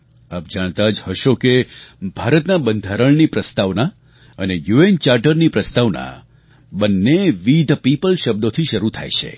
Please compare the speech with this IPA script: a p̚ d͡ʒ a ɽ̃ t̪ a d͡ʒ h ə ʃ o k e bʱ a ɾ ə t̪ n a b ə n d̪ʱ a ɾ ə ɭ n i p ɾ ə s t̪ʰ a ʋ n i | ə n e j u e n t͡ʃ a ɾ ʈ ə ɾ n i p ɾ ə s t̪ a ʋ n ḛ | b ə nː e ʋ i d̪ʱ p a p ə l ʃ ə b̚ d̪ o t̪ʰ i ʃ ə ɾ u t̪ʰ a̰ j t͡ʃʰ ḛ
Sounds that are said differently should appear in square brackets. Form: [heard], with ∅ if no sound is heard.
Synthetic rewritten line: a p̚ d͡ʒ a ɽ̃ t̪ a d͡ʒ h ə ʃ o k e bʱ a ɾ ə t̪ n a b ə n d̪ʱ a ɾ ə ɭ n i p ɾ ə s [t̪] a ʋ n [a] | ə n e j u e n t͡ʃ a ɾ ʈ ə ɾ n i p ɾ ə s t̪ a ʋ n [a̰] | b ə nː e ʋ i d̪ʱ p [i] p ə l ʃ ə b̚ d̪ o t̪ʰ i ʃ ə ɾ u t̪ʰ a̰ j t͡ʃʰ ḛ

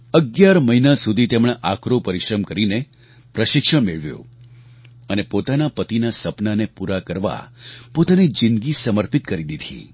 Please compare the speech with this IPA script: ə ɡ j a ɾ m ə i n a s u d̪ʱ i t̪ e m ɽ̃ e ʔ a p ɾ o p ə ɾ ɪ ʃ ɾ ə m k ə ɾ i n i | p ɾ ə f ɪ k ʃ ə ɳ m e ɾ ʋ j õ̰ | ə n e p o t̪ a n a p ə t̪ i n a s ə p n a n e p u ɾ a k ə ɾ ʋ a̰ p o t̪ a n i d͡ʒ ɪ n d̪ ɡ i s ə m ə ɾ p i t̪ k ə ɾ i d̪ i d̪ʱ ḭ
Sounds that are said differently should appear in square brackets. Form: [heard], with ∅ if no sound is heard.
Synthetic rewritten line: ə ɡ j a ɾ m ə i n a s u d̪ʱ i t̪ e m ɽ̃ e ʔ a [k] ɾ o p ə ɾ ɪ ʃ ɾ ə m k ə ɾ i n [e] | p ɾ ə [ʃ] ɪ k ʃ ə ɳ m e [ɭ] ʋ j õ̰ | ə n e p o t̪ a n a p ə t̪ i n a s ə p n a n e p u ɾ a k ə ɾ ʋ a̰ p o t̪ a n i d͡ʒ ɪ n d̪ ɡ i s ə m ə ɾ p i t̪ k ə ɾ i d̪ i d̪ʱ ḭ

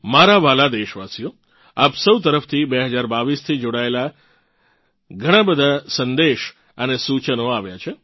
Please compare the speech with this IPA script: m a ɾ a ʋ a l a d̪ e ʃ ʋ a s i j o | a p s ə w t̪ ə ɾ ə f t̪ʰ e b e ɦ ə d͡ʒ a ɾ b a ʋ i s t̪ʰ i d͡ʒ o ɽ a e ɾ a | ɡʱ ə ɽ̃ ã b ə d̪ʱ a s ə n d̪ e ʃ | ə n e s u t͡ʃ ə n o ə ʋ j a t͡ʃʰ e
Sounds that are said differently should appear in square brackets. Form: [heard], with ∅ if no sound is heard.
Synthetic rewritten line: m a ɾ a ʋ a l a d̪ e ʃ ʋ a s i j o | a p s ə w t̪ ə ɾ ə f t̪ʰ [i] b e ɦ ə d͡ʒ a ɾ b a ʋ i s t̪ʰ i d͡ʒ o ɽ a e [l] a | ɡʱ ə ɽ̃ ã b ə d̪ʱ a s ə n d̪ e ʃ | ə n e s u t͡ʃ ə n o [a] ʋ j a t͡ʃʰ e

